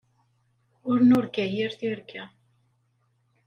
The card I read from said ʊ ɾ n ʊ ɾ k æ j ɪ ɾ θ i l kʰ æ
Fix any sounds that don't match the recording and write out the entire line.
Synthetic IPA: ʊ ɾ n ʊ ɾ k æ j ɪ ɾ θ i ɾ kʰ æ